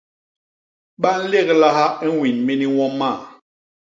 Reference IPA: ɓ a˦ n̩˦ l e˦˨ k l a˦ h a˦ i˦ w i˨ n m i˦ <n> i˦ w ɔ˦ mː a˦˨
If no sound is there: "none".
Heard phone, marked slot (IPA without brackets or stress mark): n